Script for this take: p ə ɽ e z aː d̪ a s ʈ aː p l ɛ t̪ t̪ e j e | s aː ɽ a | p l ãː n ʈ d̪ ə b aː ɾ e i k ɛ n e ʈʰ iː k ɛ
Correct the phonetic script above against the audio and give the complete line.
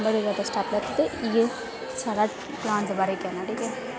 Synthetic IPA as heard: b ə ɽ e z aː d̪ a s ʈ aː p l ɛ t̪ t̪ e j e | s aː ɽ a | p l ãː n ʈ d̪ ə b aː ɾ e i k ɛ n a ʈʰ iː k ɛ